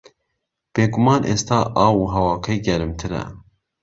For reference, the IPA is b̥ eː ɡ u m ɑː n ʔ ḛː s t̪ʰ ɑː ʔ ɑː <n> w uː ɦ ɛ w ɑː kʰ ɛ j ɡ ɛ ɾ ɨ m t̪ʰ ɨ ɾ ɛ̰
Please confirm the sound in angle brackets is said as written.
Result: no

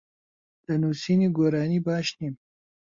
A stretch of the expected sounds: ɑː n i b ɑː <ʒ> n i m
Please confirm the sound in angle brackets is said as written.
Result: no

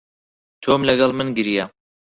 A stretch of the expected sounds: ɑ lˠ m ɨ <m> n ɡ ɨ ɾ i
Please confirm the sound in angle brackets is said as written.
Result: no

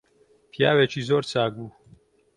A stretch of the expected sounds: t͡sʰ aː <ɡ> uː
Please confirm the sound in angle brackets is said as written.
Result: yes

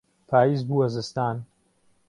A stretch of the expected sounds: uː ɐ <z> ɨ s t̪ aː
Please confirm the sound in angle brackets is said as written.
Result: yes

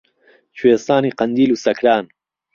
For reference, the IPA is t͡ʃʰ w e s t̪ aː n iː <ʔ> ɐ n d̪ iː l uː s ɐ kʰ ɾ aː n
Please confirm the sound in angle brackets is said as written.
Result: no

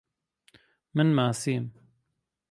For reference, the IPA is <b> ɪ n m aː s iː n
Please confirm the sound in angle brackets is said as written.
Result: no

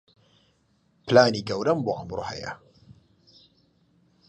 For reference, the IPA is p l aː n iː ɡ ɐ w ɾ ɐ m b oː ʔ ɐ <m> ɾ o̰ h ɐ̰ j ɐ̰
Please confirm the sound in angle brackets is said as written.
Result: yes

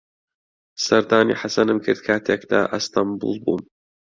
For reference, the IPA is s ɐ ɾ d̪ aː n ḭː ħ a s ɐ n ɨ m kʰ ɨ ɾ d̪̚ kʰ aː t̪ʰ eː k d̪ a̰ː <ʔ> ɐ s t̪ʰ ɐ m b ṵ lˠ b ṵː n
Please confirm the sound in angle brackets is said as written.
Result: yes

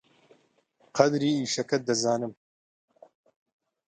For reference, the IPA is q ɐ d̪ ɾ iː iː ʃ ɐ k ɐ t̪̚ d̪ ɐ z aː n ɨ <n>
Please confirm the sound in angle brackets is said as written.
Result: no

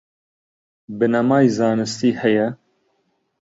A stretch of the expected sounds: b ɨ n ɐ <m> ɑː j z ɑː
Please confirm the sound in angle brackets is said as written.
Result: yes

